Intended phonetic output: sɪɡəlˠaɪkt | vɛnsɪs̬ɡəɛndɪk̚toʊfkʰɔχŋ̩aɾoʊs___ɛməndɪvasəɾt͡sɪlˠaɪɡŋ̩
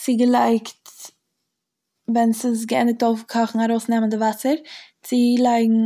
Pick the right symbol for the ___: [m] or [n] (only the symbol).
n